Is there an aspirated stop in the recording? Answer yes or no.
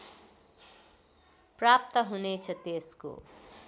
yes